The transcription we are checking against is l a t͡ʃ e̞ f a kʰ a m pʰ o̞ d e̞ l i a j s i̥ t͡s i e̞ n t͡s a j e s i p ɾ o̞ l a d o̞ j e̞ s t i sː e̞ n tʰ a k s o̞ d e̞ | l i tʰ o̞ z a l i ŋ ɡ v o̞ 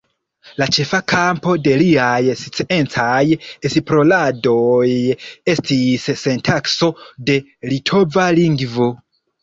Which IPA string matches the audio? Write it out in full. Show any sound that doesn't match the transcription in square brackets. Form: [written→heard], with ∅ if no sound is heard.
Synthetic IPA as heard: l a t͡ʃ e̞ f a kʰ a m [pʰ→p] o̞ d e̞ l i a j s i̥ t͡s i e̞ n t͡s a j e s i p ɾ o̞ l a d o̞ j e̞ s t i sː e̞ n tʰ a k s o̞ d e̞ | l i tʰ o̞ [z→v] a l i ŋ ɡ v o̞